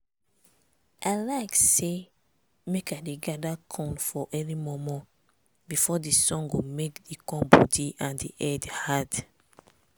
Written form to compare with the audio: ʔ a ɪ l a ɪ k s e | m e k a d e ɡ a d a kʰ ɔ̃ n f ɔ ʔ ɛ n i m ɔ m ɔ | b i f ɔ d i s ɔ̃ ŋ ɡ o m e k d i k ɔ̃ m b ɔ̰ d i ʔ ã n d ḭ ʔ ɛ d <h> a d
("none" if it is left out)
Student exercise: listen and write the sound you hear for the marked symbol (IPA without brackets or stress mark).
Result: h